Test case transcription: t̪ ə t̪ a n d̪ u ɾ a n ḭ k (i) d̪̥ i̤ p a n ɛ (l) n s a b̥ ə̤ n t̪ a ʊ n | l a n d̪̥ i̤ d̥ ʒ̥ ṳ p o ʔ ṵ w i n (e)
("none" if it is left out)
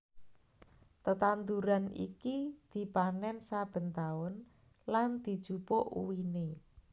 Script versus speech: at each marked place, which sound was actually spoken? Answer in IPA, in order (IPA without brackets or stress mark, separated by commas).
i, none, e